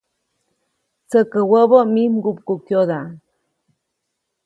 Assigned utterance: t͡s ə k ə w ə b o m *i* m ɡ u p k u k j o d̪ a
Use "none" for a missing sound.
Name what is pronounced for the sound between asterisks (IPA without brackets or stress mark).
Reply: i